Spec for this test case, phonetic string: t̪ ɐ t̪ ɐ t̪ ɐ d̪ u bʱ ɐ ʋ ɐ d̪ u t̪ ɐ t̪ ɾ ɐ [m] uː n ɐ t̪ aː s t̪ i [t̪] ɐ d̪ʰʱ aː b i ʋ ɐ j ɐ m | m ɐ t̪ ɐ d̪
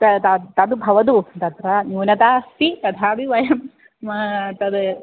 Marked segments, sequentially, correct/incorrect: incorrect: n, correct

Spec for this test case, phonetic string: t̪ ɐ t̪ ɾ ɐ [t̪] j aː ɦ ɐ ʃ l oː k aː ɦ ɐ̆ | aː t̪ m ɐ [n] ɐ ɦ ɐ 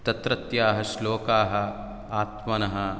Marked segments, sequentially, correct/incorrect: correct, correct

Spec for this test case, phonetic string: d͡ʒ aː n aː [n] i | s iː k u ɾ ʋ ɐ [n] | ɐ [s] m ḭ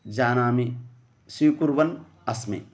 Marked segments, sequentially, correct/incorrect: incorrect: m, correct, correct

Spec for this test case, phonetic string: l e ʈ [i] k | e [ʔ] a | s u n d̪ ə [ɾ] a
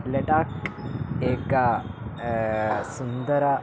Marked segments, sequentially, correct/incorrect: incorrect: a, incorrect: k, correct

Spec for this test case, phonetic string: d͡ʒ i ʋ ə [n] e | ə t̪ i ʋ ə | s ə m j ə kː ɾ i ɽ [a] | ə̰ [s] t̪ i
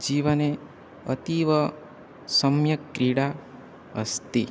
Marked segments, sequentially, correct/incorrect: correct, correct, correct

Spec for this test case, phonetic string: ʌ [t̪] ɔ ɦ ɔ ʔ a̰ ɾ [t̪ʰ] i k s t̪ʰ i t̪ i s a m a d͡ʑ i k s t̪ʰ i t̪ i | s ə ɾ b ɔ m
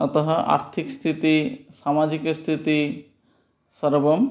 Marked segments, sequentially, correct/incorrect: correct, correct

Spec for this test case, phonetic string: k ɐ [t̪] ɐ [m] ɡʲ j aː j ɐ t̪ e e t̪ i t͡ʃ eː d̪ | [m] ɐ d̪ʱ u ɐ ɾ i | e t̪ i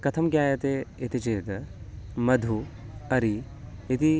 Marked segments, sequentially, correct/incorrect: incorrect: t̪ʰ, correct, correct

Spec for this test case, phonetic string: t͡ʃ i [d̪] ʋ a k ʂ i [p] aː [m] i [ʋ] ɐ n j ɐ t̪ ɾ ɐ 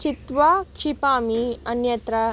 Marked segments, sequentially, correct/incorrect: incorrect: t̪, correct, correct, incorrect: none

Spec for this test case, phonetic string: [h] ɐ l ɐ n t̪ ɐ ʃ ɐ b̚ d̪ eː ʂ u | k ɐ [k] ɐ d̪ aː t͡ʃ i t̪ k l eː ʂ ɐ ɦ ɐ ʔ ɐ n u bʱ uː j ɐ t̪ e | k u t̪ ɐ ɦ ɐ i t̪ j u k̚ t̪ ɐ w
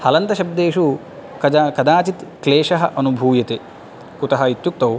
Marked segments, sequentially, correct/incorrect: correct, correct

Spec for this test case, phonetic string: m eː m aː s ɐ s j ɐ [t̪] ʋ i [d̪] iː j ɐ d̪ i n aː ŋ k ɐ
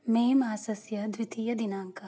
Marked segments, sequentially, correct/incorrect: incorrect: d̪, incorrect: t̪

